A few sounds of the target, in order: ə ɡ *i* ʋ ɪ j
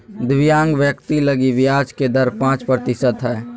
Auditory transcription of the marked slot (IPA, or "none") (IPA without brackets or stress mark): i